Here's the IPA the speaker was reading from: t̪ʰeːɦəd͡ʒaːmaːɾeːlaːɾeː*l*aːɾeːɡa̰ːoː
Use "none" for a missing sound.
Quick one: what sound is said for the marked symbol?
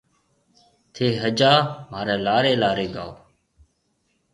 l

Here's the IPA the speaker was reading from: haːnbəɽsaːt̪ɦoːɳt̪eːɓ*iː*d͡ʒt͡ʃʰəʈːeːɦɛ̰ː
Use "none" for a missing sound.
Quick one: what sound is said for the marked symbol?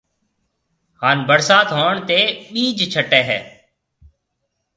iː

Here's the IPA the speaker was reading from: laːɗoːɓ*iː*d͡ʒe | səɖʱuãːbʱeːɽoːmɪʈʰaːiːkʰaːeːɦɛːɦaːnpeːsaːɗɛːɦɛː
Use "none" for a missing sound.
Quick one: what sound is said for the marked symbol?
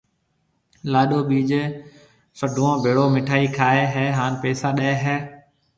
iː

